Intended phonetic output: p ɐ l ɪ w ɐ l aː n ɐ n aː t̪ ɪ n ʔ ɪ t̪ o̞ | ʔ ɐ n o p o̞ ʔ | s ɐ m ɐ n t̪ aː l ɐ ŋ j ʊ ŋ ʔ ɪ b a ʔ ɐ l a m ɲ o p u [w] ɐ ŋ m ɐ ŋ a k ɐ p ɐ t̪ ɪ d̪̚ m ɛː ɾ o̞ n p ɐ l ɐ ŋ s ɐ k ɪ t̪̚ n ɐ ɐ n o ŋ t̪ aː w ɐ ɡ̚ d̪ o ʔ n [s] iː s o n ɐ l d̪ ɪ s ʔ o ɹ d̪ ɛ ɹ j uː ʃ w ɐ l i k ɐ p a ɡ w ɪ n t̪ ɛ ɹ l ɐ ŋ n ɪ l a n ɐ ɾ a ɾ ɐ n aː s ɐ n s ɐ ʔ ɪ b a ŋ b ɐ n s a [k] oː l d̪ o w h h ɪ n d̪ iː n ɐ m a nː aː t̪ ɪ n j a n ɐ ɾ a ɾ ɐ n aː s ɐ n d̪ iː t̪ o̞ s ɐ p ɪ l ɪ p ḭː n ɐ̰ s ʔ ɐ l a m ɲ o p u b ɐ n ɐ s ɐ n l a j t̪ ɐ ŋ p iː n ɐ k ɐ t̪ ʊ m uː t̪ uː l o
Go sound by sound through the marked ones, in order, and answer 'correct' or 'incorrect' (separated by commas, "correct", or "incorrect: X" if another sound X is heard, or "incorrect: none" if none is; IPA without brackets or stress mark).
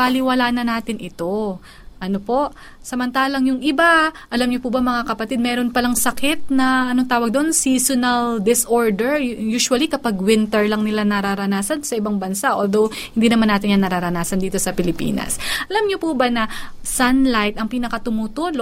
incorrect: b, correct, incorrect: ʔ